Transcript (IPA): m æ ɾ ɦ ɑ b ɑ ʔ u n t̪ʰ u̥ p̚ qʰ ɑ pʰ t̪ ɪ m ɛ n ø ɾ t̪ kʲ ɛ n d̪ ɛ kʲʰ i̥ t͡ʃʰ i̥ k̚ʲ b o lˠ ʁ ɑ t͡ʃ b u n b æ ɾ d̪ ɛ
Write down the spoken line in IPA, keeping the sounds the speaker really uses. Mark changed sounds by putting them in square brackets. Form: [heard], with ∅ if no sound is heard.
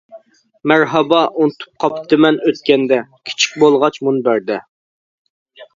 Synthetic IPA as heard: m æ ɾ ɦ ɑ b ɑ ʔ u n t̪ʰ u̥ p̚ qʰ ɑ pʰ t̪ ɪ m ɛ n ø [∅] t̪ kʲ ɛ n d̪ ɛ kʲʰ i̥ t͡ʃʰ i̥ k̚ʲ b o lˠ ʁ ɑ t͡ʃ [m] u n b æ ɾ d̪ ɛ